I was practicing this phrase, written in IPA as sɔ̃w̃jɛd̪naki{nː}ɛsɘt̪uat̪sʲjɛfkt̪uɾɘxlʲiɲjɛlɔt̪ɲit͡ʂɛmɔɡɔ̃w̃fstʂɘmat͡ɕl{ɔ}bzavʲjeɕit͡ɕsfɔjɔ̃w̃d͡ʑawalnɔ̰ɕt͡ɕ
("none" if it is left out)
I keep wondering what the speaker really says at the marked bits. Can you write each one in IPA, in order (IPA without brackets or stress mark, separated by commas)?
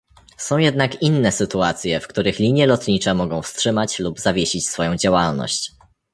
nː, u